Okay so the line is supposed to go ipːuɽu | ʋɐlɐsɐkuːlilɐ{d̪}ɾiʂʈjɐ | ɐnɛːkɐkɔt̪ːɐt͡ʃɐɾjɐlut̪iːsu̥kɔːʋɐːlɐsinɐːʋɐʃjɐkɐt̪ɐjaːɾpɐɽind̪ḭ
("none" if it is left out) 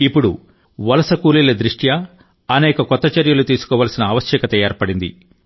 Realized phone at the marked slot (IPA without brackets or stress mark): d̪